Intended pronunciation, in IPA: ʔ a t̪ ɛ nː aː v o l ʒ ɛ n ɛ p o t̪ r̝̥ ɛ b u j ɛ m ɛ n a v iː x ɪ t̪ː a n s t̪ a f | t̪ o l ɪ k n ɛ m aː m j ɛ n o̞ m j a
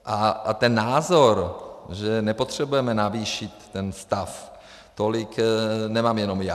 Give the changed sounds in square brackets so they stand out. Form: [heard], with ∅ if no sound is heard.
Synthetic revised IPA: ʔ a t̪ ɛ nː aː [z] o [ɾ] ʒ ɛ n ɛ p o t̪ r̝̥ ɛ b u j ɛ m ɛ n a v iː [ʃ] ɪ t̪ː [ɛ] n s t̪ a f | t̪ o l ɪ k n ɛ m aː m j ɛ n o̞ m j a